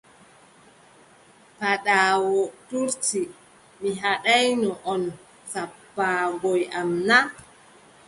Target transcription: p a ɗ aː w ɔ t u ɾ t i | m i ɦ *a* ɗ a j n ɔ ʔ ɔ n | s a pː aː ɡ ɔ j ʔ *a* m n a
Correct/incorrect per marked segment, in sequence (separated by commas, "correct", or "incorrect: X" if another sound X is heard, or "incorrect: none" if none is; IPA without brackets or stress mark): correct, correct